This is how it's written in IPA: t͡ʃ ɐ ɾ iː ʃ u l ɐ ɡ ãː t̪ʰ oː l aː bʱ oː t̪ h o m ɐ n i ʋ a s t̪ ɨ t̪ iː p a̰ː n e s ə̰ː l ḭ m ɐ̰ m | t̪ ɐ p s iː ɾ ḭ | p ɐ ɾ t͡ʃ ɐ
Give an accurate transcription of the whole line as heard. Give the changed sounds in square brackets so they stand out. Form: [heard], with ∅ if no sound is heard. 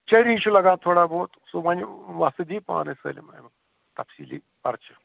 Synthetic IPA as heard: t͡ʃ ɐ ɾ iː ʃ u l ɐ ɡ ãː t̪ʰ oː [ɽ] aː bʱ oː t̪ [s] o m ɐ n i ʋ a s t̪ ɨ [d̪] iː p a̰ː n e s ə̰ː l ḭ m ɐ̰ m | t̪ ɐ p s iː [l] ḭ | p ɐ ɾ t͡ʃ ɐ